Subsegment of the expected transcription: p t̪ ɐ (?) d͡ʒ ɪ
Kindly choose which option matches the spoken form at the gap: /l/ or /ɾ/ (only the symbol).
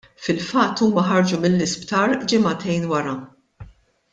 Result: ɾ